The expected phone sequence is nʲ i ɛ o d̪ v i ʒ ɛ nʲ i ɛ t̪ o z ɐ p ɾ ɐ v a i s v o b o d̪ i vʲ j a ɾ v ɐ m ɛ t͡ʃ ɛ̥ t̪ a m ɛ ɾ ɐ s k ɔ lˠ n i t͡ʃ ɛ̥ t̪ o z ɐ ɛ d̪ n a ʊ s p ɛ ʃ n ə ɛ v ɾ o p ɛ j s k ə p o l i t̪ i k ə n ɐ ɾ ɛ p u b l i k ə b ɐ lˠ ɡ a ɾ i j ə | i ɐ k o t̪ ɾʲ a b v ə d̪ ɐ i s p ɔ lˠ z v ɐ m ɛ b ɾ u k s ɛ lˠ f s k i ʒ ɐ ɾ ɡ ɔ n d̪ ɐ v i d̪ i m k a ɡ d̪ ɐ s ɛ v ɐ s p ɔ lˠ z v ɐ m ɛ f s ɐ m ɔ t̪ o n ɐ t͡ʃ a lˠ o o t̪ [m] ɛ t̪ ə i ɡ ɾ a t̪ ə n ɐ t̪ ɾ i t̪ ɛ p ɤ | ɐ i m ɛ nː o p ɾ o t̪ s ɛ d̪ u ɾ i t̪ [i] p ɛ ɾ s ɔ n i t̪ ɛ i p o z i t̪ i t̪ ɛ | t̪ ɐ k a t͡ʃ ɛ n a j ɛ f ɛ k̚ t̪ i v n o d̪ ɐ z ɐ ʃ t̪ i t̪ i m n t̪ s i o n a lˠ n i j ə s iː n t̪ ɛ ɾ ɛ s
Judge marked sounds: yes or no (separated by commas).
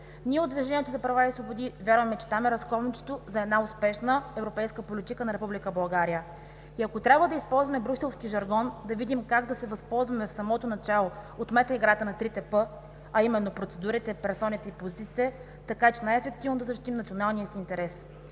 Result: yes, no